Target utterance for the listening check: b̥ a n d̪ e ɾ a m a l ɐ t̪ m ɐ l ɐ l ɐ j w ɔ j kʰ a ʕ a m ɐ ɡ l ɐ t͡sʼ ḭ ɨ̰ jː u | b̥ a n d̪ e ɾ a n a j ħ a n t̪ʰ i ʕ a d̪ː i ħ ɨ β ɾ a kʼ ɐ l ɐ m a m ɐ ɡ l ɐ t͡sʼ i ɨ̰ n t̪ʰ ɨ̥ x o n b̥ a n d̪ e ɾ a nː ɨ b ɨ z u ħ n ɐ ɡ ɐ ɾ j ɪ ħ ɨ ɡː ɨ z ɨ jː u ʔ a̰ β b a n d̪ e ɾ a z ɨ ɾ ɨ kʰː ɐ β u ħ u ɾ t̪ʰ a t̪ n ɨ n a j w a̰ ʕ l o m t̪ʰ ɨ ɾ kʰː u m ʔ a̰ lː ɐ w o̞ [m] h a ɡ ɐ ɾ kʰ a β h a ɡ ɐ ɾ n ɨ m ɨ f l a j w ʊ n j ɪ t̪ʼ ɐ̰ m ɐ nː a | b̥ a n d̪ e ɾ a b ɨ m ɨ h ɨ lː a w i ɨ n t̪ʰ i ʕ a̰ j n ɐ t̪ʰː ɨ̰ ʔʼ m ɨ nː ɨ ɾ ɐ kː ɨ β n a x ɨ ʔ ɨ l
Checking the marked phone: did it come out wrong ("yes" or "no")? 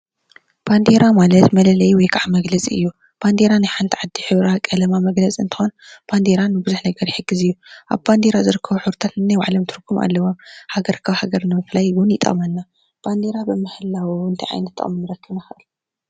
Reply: no